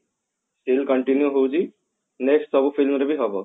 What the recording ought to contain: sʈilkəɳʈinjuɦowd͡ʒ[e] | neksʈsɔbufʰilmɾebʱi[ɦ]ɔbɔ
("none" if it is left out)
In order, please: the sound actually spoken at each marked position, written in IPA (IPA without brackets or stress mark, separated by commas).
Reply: i, ɦ